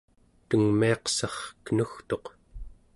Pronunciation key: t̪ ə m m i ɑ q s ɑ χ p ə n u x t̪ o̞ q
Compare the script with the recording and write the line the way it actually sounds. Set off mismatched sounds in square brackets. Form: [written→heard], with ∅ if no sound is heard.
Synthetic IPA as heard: t̪ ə [m→ŋ] m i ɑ q s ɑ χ [p→k] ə n u x t̪ o̞ q

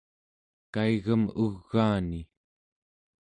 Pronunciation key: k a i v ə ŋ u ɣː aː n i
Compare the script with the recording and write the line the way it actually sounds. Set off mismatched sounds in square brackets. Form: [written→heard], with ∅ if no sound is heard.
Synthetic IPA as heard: k a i [v→ɣ] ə [ŋ→m] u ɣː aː n i

